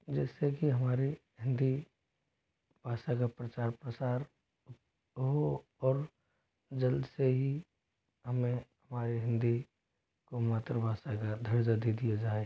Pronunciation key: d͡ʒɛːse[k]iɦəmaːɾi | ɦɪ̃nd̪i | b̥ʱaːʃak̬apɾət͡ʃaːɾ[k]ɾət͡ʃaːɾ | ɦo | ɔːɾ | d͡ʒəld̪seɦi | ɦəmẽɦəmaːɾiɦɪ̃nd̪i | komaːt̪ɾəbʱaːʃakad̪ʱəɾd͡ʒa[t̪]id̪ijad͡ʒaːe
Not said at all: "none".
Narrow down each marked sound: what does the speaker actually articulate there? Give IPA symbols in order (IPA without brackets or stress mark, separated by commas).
k, p, d̪